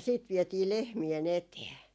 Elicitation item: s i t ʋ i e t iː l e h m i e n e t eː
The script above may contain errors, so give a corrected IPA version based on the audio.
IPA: s iː t ʋ i e t iː l e h m i e n e t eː